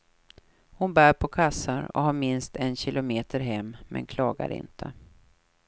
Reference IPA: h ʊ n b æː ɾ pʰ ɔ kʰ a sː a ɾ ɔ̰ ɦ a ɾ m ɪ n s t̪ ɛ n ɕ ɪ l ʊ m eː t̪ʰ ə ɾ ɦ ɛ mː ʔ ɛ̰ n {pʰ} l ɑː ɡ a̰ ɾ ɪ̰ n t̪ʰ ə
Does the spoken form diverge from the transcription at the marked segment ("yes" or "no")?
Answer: yes